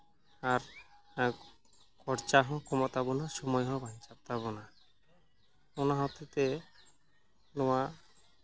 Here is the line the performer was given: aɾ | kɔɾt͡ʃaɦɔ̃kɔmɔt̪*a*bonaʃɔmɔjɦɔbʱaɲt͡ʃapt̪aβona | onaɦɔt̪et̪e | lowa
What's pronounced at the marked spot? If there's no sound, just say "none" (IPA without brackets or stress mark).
a